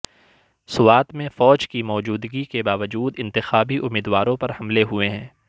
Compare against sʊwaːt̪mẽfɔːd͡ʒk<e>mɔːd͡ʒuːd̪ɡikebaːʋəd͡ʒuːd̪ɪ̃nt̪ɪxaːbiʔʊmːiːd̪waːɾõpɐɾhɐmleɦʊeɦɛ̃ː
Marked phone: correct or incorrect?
incorrect